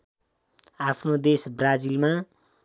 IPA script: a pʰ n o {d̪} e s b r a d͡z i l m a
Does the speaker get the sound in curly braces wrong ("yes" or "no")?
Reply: no